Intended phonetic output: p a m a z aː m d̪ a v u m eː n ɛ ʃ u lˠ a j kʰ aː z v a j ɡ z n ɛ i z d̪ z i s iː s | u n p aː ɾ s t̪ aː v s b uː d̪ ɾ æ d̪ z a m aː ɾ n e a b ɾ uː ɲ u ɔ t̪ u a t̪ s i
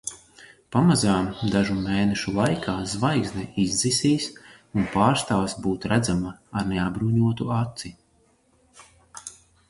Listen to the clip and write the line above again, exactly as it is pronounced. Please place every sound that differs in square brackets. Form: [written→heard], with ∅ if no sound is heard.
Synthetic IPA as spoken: p a m a z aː m d̪ a [v→ʒ] u m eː n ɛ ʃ u lˠ a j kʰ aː z v a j ɡ z n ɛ i z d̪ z i s iː s | u n p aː ɾ s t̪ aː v s b uː [d̪→t̪] ɾ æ d̪ z a m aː ɾ n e a b ɾ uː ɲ u ɔ t̪ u a t̪ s i